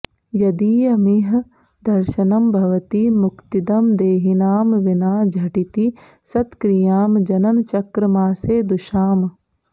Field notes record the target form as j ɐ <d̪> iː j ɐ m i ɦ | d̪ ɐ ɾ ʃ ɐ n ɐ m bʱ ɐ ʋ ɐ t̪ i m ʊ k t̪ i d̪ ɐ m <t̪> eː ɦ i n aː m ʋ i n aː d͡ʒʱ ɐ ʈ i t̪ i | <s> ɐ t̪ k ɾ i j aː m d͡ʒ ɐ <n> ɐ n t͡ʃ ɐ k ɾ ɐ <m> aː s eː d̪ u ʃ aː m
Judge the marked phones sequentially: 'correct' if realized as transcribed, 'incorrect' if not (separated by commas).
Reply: correct, incorrect, correct, correct, correct